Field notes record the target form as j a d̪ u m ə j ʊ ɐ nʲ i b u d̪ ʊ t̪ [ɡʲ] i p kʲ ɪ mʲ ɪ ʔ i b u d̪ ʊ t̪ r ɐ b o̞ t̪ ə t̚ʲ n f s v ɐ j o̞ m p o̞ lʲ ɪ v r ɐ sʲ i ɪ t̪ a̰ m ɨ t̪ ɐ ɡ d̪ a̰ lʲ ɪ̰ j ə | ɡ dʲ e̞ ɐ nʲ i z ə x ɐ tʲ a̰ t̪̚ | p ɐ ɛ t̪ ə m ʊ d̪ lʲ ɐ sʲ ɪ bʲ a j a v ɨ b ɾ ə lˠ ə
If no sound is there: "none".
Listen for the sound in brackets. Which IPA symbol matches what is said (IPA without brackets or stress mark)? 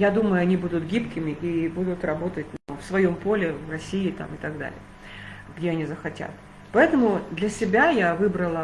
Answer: ɡʲ